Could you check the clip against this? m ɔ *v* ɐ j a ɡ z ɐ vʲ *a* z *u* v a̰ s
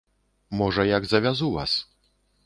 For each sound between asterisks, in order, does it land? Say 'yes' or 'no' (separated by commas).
no, yes, yes